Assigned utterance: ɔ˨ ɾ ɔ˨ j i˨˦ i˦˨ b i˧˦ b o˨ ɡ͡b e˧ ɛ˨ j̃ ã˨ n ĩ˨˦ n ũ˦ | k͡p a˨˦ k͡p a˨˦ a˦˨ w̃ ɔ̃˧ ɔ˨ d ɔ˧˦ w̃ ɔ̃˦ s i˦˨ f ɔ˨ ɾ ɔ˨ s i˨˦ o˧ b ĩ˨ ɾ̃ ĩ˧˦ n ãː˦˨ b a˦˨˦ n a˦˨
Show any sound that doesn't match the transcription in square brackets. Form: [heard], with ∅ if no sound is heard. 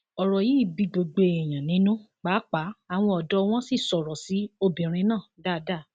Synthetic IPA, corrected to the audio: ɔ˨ ɾ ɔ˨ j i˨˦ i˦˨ b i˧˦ [ɡ͡b] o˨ ɡ͡b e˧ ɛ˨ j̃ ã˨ n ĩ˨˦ n ũ˦ | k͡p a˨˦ k͡p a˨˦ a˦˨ w̃ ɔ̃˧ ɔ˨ d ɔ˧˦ w̃ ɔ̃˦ s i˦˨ [s] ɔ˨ ɾ ɔ˨ s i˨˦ o˧ b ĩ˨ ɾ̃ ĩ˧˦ n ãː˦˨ [d] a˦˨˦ [d] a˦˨